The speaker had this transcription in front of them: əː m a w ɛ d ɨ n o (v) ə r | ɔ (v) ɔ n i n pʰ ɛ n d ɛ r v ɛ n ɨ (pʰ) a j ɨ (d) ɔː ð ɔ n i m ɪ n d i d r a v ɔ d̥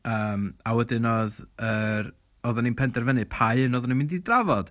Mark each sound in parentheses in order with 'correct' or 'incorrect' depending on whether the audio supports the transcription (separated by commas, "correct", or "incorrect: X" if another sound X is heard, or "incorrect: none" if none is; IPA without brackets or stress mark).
incorrect: ð, incorrect: ð, correct, incorrect: n